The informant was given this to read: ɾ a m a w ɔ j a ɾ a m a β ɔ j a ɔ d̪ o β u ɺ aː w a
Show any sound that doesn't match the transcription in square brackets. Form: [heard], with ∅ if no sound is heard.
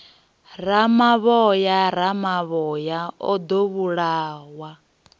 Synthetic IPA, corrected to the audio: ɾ a m a [β] ɔ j a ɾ a m a β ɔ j a ɔ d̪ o β u ɺ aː w a